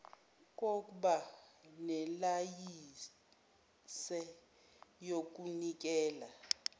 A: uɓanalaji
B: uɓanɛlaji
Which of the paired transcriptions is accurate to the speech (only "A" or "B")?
B